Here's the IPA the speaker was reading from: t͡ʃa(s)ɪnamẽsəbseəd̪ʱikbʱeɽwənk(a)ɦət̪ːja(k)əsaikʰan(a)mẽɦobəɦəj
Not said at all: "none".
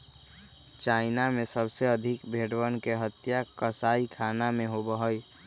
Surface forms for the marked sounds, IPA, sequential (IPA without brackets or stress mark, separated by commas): none, e, k, a